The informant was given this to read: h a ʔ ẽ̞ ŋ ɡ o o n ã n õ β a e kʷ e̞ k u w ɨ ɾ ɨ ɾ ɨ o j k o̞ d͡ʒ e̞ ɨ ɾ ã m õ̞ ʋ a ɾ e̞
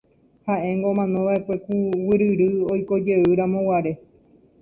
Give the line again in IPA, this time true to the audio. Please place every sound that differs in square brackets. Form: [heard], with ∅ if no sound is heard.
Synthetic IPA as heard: h a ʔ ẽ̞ ŋ ɡ o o [m] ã n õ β a e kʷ e̞ k u w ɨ ɾ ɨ ɾ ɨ o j k o̞ d͡ʒ e̞ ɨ ɾ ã m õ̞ [w] a ɾ e̞